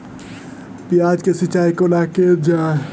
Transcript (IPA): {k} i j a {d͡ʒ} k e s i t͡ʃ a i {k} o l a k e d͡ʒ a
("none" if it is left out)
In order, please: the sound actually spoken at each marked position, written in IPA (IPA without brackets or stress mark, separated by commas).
p, d͡ʒ, k